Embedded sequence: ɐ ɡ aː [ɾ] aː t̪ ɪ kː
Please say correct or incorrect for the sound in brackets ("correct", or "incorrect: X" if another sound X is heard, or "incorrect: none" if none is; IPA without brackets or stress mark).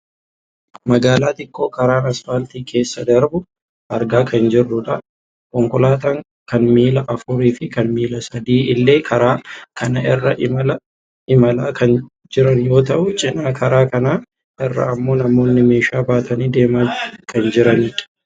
incorrect: l